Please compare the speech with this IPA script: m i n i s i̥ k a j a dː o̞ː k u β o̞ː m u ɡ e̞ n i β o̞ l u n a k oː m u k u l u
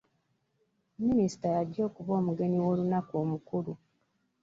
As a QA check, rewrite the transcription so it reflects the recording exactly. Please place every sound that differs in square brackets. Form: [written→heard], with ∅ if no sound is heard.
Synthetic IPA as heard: m i n i s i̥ [k→t] a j a [dː→ɟː] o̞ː k u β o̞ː m u ɡ e̞ n i [β→w] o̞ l u n a k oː m u k u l u